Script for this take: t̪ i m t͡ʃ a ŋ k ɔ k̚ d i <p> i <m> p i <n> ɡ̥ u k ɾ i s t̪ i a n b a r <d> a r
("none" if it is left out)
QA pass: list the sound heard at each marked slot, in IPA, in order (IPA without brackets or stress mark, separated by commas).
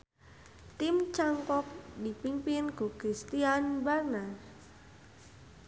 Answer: p, m, n, n